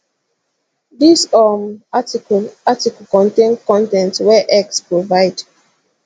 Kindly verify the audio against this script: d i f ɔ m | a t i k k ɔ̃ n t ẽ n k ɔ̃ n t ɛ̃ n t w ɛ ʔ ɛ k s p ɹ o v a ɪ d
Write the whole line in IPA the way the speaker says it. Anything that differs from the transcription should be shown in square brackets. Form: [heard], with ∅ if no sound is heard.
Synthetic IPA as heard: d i [s] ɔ m | a t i k k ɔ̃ n t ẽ n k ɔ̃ n t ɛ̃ n t w ɛ ʔ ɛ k s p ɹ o v a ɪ d